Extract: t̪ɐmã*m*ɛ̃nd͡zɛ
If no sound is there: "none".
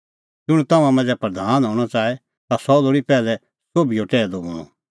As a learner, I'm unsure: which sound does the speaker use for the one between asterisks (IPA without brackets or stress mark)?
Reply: m